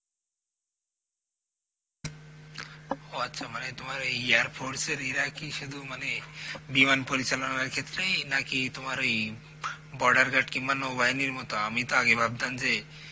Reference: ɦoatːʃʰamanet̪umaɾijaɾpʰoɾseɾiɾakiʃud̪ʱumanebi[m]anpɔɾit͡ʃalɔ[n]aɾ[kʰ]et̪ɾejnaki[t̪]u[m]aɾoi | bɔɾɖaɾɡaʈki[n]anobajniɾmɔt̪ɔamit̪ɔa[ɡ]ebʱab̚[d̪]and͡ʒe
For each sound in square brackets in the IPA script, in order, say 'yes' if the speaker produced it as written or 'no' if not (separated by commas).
yes, yes, yes, yes, yes, no, yes, yes